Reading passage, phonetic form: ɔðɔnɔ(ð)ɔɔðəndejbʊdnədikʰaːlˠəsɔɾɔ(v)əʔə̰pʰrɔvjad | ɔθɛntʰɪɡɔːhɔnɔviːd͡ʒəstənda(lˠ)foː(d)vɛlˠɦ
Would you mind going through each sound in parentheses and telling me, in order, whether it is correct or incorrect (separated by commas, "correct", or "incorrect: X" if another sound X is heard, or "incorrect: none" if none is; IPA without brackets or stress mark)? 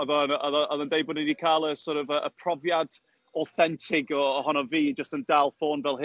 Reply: correct, correct, correct, incorrect: n